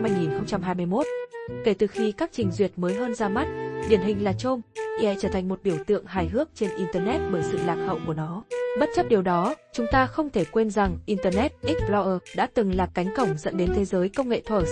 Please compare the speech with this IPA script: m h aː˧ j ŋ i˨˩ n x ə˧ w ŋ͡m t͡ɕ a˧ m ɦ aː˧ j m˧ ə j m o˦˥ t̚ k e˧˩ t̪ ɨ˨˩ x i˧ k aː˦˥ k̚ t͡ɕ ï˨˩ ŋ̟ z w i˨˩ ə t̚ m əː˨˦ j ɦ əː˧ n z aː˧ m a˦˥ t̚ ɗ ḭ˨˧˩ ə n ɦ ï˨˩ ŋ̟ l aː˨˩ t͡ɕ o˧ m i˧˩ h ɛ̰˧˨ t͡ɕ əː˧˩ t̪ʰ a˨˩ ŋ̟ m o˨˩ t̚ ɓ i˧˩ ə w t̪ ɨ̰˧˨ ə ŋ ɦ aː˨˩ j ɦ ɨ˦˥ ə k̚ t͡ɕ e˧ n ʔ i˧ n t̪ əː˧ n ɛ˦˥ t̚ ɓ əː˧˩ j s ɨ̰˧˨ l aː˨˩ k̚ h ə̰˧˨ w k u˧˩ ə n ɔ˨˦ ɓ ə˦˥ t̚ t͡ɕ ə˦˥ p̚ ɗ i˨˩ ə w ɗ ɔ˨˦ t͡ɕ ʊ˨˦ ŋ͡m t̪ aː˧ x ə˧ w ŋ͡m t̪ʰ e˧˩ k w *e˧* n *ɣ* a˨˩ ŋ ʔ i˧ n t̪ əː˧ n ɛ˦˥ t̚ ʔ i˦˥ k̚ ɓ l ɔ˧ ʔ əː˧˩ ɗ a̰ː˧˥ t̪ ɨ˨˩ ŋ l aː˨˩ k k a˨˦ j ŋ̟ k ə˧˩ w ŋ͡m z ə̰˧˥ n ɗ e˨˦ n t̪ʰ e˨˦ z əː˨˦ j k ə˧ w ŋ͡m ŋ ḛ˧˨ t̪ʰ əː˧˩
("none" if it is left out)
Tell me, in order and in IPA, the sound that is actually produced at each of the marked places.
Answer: e˧, z

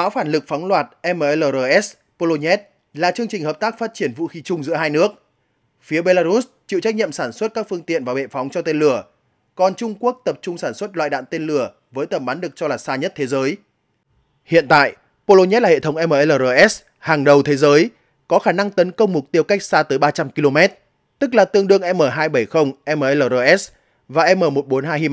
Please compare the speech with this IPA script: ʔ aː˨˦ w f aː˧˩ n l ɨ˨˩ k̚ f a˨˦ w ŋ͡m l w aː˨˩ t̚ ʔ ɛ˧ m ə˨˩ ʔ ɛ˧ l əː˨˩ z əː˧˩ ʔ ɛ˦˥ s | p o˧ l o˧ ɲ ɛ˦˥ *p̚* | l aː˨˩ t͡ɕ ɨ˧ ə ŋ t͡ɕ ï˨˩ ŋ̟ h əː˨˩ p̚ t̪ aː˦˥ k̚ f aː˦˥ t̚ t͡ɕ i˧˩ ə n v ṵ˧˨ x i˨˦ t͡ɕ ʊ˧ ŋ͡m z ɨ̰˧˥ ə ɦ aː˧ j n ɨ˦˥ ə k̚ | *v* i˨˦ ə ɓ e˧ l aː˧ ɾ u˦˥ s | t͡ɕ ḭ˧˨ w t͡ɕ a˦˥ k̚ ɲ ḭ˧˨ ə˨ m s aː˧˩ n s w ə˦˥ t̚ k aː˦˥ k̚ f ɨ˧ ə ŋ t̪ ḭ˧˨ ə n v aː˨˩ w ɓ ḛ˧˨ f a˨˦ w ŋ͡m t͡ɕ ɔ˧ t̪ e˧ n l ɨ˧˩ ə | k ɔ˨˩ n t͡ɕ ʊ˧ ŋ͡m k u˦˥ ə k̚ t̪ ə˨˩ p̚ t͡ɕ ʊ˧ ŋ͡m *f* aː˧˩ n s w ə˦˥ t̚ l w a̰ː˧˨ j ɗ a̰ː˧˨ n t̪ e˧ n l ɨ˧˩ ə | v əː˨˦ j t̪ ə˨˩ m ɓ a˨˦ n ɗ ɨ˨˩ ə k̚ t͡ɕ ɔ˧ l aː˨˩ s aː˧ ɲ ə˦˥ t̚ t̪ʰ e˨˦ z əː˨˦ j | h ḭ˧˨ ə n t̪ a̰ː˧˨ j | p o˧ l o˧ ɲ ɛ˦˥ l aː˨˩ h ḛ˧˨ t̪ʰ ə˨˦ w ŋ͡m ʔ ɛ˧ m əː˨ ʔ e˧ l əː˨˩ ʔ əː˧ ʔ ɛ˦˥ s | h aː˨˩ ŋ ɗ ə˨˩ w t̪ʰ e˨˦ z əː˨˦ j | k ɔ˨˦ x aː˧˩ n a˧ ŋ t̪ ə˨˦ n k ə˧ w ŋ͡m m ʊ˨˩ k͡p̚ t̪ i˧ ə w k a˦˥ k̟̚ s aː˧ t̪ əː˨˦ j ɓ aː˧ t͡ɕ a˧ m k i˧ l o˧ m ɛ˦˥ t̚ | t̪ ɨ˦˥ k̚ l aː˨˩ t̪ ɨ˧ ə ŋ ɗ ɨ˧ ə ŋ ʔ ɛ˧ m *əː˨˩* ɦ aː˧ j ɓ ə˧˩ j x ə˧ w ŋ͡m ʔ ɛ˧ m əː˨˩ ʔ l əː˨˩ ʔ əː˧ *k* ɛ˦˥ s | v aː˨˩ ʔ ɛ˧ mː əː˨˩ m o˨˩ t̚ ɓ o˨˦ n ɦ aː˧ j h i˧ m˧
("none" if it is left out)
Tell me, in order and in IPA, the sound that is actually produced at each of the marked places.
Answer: t̚, f, s, əː˨˩, ʔ

